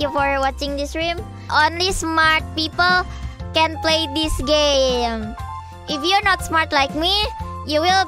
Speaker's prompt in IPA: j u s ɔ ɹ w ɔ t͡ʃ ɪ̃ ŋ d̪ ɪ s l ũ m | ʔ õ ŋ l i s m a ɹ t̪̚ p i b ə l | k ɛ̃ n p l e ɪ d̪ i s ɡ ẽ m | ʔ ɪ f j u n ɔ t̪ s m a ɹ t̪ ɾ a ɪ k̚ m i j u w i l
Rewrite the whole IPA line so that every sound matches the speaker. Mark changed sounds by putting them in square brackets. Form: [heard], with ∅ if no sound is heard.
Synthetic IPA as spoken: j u [f] ɔ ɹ w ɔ t͡ʃ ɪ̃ ŋ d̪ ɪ s [ɹ] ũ m | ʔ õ [n] l i s m a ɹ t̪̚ p i [p] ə l | k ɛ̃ n p l e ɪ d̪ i s ɡ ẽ m | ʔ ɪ f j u n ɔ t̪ s m a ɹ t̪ [l] a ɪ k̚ m i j u w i l

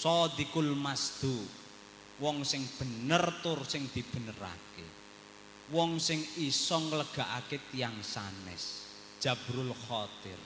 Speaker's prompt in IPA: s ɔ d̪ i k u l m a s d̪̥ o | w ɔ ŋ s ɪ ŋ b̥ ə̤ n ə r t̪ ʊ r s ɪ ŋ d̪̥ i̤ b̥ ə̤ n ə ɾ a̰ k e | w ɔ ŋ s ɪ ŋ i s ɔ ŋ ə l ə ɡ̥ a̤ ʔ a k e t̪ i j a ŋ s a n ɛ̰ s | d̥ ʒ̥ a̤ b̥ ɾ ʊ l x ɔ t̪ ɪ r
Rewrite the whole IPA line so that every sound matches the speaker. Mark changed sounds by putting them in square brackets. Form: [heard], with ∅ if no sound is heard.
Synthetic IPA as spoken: s ɔ d̪ i k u l m a s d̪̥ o | w ɔ ŋ s ɪ ŋ b̥ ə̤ n ə r t̪ ʊ r s ɪ ŋ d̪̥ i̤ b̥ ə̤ n ə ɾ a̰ k e | w ɔ ŋ s ɪ ŋ i s ɔ ŋ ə l ə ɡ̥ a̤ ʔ a k e t̪ i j a ŋ s a n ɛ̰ s | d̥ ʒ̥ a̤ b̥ ɾ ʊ l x ɔ t̪ ɪ r

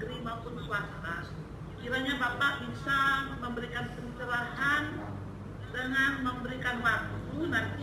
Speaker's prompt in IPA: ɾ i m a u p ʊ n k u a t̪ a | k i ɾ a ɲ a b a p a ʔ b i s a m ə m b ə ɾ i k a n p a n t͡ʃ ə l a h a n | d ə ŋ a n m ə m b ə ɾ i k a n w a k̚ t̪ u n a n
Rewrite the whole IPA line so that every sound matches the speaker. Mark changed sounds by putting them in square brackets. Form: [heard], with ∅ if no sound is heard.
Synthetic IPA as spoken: ɾ i m a u p ʊ n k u a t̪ a | k i ɾ a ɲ a b a p a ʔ b i s a m ə m b ə ɾ i k a n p [ə] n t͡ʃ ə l a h a n | d ə ŋ a n m ə m b ə ɾ i k a n w a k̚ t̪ u n a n

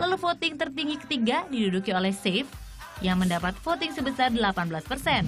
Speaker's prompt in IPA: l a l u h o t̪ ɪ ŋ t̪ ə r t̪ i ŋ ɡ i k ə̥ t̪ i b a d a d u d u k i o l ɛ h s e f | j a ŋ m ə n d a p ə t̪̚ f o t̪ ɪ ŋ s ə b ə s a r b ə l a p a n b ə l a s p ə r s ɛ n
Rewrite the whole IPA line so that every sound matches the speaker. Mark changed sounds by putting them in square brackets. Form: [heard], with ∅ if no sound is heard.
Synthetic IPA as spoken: l a l u [f] o t̪ ɪ ŋ t̪ ə r t̪ i ŋ ɡ i k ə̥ t̪ i [ɡ] a d [i] d u d u k i o l ɛ h s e f | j a ŋ m ə n d a p [a] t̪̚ f o t̪ ɪ ŋ s ə b ə s a r [d] ə l a p a n b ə l a s p ə r s ɛ n

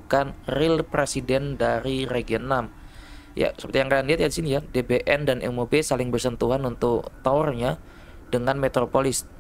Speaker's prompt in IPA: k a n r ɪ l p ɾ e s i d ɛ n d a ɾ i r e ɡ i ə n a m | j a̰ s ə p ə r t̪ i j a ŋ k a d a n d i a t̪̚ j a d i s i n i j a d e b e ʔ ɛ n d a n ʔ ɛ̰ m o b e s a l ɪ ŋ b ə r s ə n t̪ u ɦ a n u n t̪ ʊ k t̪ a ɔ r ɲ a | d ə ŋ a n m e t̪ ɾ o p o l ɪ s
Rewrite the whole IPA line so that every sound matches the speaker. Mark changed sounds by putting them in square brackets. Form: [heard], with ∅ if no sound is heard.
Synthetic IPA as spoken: k a n r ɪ l p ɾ e s i d ɛ n d a ɾ i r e ɡ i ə n a m | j a̰ s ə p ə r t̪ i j a ŋ k a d a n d i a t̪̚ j a d i s i n i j a d e b e ʔ ɛ n d a n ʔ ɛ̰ m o b e s a l ɪ ŋ b ə r s ə n t̪ u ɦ a n u n t̪ ʊ k t̪ a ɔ r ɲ a | d ə ŋ a n m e t̪ ɾ o p o l ɪ s

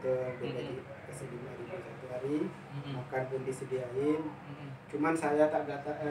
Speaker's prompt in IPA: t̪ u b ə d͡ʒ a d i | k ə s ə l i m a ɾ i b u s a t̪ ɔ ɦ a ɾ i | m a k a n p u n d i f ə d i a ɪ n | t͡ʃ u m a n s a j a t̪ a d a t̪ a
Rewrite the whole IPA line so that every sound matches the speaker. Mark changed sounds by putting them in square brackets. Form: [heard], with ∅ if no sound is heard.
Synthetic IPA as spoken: t̪ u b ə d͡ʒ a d i | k ə s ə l i m a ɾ i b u s a t̪ [u] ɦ a ɾ i | m a k a n p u n d i [s] ə d i a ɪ n | t͡ʃ u m a n s a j a t̪ a d a t̪ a

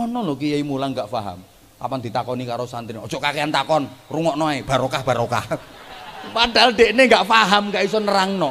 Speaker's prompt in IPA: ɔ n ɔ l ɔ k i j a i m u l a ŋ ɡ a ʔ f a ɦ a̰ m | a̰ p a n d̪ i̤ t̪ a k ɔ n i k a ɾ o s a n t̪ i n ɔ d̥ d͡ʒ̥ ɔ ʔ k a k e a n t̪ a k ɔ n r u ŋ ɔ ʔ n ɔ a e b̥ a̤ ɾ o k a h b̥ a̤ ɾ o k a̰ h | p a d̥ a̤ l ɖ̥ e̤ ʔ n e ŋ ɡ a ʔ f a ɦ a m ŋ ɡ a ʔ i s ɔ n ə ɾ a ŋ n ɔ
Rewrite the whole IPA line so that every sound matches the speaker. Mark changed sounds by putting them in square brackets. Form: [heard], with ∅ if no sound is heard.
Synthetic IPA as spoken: ɔ n ɔ l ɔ k i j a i m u l a ŋ ɡ a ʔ f a ɦ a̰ m | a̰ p a n d̪ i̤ t̪ a k ɔ n i k a ɾ o s a n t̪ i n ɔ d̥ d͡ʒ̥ ɔ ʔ k a k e a n t̪ a k ɔ n r u ŋ ɔ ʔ n ɔ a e b̥ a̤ ɾ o k a h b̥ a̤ ɾ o k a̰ h | p a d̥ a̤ l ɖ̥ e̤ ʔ n e ŋ ɡ a ʔ f a ɦ a m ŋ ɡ a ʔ i s ɔ n ə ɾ a ŋ n ɔ

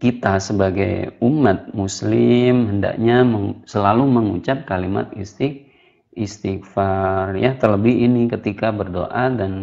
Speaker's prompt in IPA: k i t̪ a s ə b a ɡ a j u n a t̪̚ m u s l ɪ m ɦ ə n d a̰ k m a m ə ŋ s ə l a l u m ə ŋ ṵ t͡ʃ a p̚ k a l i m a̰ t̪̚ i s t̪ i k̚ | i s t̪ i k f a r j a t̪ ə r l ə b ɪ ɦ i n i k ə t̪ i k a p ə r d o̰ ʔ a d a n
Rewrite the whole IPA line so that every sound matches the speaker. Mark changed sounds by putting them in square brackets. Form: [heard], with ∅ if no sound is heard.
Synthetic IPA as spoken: k i t̪ a s ə b a ɡ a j u [m] a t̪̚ m u s l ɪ m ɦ ə n d a̰ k [ɲ] a m ə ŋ s ə l a l u m ə ŋ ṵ t͡ʃ a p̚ k a l i m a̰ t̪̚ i s t̪ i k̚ | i s t̪ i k f a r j a t̪ ə r l ə b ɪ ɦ i n i k ə t̪ i k a [b] ə r d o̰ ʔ a d a n

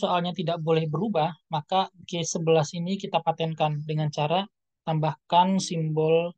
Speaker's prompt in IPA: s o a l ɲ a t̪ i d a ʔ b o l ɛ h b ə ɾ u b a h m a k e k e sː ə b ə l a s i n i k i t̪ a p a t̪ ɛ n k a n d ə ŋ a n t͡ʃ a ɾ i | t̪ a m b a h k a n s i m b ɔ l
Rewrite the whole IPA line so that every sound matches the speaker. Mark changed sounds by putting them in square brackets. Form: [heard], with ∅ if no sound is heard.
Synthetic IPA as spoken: s o a l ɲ a t̪ i d a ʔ b o l ɛ h b ə ɾ u b a h m a k [a] k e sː ə b ə l a s i n i k i t̪ a p a t̪ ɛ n k a n d ə ŋ a n t͡ʃ a ɾ [a] | t̪ a m b a h k a n s i m b ɔ l

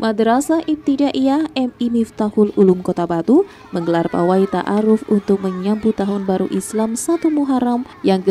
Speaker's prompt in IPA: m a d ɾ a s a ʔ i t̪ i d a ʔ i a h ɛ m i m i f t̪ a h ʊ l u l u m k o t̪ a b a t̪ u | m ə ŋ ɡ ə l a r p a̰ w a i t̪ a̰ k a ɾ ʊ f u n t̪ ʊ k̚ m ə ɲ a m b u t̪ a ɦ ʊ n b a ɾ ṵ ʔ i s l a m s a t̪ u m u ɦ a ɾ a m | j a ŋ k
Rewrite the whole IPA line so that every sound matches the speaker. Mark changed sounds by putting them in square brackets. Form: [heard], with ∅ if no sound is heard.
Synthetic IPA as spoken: m a d ɾ a s a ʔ i t̪ i d a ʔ i a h ɛ m i m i f t̪ a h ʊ l u l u m k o t̪ a b a t̪ u | m ə ŋ ɡ ə l a r p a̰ w a i t̪ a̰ [ʔ] a ɾ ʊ f u n t̪ ʊ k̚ m ə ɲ a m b u t̪ a ɦ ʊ n b a ɾ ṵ ʔ i s l a m s a t̪ u m u ɦ a ɾ a m | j a ŋ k

